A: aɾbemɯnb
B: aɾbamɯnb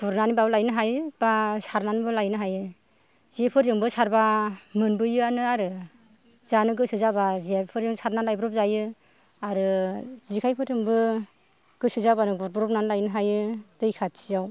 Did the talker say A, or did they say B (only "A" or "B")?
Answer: B